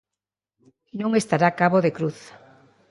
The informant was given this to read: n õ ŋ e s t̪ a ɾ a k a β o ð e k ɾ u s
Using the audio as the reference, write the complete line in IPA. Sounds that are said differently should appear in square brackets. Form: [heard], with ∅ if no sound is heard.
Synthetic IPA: n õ ŋ e s t̪ a ɾ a k a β o ð e k ɾ u [θ]